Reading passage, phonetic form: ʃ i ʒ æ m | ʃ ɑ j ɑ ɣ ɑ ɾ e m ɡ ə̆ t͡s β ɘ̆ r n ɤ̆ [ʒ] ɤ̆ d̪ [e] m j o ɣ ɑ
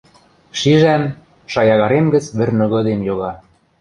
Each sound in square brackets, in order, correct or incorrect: incorrect, correct

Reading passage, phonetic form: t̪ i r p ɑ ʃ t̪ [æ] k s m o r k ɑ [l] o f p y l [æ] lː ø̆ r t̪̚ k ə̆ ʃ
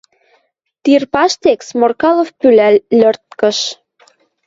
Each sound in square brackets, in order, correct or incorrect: incorrect, correct, correct

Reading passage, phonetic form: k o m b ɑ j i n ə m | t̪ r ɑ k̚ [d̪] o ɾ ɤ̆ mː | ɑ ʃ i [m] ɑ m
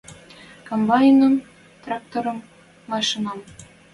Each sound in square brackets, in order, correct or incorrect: incorrect, incorrect

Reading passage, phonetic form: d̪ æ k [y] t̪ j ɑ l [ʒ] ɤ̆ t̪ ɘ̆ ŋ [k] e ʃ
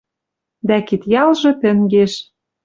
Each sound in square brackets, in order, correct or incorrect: incorrect, correct, incorrect

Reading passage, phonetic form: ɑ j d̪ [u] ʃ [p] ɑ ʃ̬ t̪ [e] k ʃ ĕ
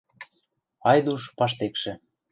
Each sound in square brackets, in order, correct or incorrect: correct, correct, correct

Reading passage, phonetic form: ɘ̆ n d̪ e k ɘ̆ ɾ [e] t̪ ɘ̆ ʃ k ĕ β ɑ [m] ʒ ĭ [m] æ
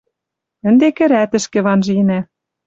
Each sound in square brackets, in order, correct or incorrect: incorrect, incorrect, incorrect

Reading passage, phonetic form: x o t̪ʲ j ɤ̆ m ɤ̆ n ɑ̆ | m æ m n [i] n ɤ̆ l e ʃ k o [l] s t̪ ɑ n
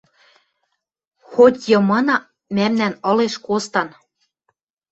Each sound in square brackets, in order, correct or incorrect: incorrect, incorrect

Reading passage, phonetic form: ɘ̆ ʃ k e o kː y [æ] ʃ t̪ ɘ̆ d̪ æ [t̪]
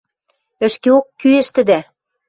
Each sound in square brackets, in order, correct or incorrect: incorrect, incorrect

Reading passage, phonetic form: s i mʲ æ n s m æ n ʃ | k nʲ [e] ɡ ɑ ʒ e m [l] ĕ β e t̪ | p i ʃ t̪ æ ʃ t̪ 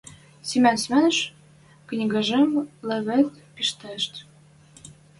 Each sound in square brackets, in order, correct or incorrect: incorrect, correct

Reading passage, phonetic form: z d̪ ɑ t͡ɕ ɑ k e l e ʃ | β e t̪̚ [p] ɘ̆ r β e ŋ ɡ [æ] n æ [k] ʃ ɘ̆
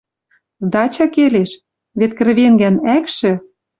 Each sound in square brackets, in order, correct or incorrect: incorrect, correct, correct

